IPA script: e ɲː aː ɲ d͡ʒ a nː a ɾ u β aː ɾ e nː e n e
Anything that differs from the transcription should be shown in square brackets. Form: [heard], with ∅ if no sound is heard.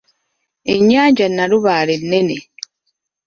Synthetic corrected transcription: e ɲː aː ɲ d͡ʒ a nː a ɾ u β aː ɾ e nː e n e